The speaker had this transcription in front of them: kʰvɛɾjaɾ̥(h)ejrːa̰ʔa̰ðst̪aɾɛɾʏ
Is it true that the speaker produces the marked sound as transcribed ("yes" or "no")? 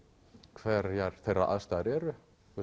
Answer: no